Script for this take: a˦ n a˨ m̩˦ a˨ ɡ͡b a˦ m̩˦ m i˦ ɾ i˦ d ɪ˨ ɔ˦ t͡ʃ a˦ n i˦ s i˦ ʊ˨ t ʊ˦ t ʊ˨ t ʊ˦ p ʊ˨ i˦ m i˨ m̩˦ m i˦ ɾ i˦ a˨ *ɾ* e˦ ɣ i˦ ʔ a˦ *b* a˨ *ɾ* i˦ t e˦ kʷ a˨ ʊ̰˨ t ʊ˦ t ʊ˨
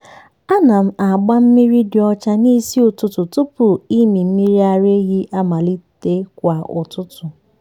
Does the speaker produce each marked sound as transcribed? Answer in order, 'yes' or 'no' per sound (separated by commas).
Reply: yes, no, no